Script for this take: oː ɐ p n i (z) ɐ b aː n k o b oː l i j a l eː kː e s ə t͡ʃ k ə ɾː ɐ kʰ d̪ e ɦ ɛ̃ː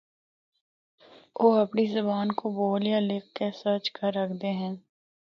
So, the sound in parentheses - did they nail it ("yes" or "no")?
yes